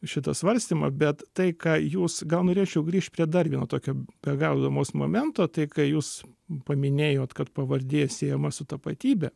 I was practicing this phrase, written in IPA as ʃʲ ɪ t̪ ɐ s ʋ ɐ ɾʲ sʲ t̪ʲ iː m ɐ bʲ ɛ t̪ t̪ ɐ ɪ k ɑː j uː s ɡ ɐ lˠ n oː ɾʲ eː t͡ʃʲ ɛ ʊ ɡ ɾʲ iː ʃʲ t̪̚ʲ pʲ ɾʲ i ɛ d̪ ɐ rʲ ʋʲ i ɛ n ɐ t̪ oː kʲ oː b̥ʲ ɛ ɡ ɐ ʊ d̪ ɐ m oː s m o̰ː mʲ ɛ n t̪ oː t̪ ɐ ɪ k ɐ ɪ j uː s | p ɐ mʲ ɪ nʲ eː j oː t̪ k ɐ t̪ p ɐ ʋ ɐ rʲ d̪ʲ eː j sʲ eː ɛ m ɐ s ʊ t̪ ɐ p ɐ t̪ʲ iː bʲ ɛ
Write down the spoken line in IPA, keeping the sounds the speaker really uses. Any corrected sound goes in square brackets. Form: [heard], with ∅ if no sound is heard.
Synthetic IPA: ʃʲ ɪ t̪ ɐ s ʋ ɐ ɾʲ sʲ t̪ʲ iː m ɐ bʲ ɛ t̪ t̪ ɐ ɪ k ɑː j uː s ɡ ɐ lˠ n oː ɾʲ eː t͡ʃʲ ɛ ʊ ɡ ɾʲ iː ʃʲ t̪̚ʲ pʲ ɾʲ i ɛ d̪ ɐ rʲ ʋʲ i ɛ n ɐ t̪ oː kʲ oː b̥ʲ ɛ ɡ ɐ ʊ d̪ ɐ m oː s m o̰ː mʲ ɛ n t̪ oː t̪ ɐ ɪ k ɐ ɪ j uː s | p ɐ mʲ ɪ nʲ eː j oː t̪ k ɐ t̪ p ɐ ʋ ɐ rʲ d̪ʲ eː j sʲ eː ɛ m ɐ s ʊ t̪ ɐ p ɐ t̪ʲ iː bʲ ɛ

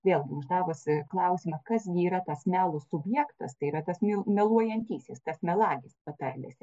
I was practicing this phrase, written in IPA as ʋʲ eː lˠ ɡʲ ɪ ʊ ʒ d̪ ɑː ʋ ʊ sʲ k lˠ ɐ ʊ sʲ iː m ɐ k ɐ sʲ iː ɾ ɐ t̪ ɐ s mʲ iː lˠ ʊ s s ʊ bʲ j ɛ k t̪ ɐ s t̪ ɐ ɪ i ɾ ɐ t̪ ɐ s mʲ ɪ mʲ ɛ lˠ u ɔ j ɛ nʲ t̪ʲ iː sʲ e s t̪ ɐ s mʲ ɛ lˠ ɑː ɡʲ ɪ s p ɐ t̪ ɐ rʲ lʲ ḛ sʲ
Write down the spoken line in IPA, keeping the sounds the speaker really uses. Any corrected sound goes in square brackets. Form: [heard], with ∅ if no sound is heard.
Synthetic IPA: ʋʲ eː lˠ ɡʲ ɪ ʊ ʒ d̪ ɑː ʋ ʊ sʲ k lˠ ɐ ʊ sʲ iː m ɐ k ɐ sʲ iː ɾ ɐ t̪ ɐ s mʲ [æː] lˠ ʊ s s ʊ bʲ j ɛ k t̪ ɐ s t̪ ɐ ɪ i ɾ ɐ t̪ ɐ s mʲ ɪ mʲ ɛ lˠ u ɔ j ɛ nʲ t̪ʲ iː sʲ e s t̪ ɐ s mʲ ɛ lˠ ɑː ɡʲ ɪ s p ɐ t̪ ɐ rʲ lʲ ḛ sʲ

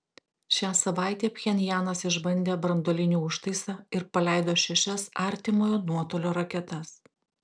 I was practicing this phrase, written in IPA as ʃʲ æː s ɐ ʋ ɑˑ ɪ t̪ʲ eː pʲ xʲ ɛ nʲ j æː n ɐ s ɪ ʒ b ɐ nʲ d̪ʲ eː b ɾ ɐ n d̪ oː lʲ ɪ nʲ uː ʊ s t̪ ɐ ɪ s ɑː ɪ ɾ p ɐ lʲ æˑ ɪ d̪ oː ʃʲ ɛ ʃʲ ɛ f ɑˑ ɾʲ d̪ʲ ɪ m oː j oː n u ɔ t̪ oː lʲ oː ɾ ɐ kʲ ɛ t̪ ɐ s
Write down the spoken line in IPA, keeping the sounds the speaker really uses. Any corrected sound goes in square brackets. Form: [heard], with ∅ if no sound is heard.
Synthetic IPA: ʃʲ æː s ɐ ʋ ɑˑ ɪ t̪ʲ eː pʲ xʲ ɛ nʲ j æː n ɐ s ɪ ʒ b ɐ nʲ d̪ʲ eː b ɾ ɐ n d̪ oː lʲ ɪ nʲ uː ʊ [ʃ] t̪ ɐ ɪ s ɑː ɪ ɾ p ɐ lʲ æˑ ɪ d̪ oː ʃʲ ɛ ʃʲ ɛ [s] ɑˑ ɾʲ [t̪ʲ] ɪ m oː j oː n u ɔ t̪ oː lʲ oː ɾ ɐ kʲ ɛ t̪ ɐ s

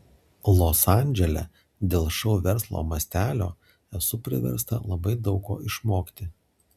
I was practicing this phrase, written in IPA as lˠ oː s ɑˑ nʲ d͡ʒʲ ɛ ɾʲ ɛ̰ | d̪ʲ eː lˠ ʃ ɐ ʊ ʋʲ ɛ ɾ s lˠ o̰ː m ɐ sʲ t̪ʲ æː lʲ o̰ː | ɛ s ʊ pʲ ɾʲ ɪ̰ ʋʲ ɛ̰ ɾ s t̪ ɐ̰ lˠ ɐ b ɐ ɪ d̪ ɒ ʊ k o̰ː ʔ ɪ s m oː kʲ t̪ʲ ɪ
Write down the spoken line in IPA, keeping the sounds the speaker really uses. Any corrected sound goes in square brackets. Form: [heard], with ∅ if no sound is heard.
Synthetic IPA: lˠ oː s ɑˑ nʲ d͡ʒʲ ɛ [lʲ] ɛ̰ | d̪ʲ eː lˠ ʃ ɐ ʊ ʋʲ ɛ ɾ s lˠ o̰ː m ɐ sʲ t̪ʲ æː lʲ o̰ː | ɛ s ʊ pʲ ɾʲ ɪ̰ ʋʲ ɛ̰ ɾ s t̪ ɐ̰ lˠ ɐ b ɐ ɪ d̪ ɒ ʊ k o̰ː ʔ ɪ [ʃ] m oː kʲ t̪ʲ ɪ

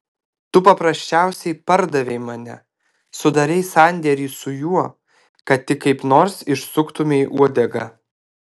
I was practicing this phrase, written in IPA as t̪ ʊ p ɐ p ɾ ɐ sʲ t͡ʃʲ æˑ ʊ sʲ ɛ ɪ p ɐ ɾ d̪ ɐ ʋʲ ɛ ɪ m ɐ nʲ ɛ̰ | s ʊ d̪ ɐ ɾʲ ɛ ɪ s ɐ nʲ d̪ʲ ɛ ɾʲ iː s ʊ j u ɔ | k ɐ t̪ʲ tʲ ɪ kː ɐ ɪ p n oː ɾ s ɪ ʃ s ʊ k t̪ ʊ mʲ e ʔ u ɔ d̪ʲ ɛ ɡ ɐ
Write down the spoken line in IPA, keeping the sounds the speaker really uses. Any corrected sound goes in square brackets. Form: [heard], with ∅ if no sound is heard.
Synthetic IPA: t̪ ʊ p ɐ p ɾ ɐ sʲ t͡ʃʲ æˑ ʊ sʲ ɛ ɪ p ɐ ɾ d̪ ɐ ʋʲ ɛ ɪ m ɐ nʲ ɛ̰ | s ʊ d̪ ɐ ɾʲ ɛ ɪ s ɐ nʲ d̪ʲ ɛ ɾʲ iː s ʊ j u ɔ | k ɐ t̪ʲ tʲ ɪ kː ɐ ɪ p n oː ɾ s ɪ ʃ s ʊ k t̪ ʊ mʲ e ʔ u ɔ d̪ʲ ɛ ɡ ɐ

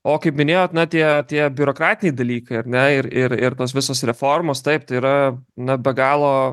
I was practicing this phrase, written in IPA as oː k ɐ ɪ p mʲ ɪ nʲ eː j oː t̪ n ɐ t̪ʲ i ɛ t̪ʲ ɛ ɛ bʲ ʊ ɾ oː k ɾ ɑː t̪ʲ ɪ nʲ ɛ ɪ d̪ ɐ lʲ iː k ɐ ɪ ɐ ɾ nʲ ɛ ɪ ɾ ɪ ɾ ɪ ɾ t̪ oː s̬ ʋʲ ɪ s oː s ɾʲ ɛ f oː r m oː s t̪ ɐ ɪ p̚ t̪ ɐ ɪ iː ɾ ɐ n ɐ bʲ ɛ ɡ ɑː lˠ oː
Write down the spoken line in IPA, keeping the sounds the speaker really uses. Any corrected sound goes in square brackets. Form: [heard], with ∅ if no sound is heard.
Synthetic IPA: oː k ɐ ɪ p mʲ ɪ nʲ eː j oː t̪ n ɐ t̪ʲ i ɛ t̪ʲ [i] ɛ bʲ ʊ ɾ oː k ɾ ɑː t̪ʲ ɪ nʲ ɛ ɪ d̪ ɐ lʲ iː k ɐ ɪ ɐ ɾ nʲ ɛ ɪ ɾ ɪ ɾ ɪ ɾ t̪ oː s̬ ʋʲ ɪ s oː s ɾʲ ɛ f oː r m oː s t̪ ɐ ɪ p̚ t̪ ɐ ɪ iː ɾ ɐ n ɐ bʲ ɛ ɡ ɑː lˠ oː

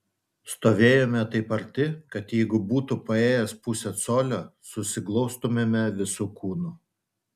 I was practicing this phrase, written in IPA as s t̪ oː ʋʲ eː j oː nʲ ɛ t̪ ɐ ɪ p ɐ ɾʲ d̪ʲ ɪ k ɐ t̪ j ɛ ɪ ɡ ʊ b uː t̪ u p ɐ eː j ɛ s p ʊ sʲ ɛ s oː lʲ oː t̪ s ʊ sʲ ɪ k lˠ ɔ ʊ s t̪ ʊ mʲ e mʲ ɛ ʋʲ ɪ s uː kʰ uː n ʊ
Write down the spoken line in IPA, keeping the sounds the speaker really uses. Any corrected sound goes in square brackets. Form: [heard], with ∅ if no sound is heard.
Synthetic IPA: s t̪ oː ʋʲ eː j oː [mʲ] ɛ t̪ ɐ ɪ p ɐ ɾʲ [t̪ʲ] ɪ k ɐ t̪ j ɛ ɪ ɡ ʊ b uː t̪ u p ɐ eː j ɛ s p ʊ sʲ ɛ s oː lʲ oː [∅] s ʊ sʲ ɪ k lˠ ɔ ʊ s t̪ ʊ mʲ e mʲ ɛ ʋʲ ɪ s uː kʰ uː n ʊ

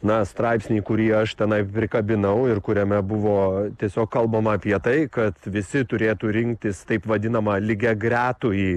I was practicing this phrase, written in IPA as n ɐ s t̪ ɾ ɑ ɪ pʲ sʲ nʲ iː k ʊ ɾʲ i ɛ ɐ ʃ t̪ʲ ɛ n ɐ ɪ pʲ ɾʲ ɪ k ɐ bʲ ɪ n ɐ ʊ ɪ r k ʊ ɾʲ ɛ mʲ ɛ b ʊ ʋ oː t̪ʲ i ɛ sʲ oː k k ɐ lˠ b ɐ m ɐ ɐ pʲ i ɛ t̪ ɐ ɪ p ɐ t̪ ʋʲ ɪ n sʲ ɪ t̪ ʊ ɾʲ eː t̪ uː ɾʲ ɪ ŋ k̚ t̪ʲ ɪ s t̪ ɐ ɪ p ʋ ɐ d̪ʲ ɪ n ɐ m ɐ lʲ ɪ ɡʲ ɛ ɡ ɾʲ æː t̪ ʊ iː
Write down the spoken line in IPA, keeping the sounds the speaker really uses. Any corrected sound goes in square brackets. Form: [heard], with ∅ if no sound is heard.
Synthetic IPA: n ɐ s t̪ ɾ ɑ ɪ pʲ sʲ nʲ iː k ʊ ɾʲ i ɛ ɐ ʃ t̪ʲ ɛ n ɐ ɪ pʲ ɾʲ ɪ k ɐ bʲ ɪ n ɐ ʊ ɪ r k ʊ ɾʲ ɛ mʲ ɛ b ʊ ʋ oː t̪ʲ i ɛ sʲ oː k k ɐ lˠ b ɐ m ɐ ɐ pʲ i ɛ t̪ ɐ ɪ [k] ɐ t̪ ʋʲ ɪ [∅] sʲ ɪ t̪ ʊ ɾʲ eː t̪ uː ɾʲ ɪ ŋ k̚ t̪ʲ ɪ s t̪ ɐ ɪ p ʋ ɐ d̪ʲ ɪ n ɐ m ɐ lʲ ɪ ɡʲ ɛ ɡ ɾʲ æː t̪ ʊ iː

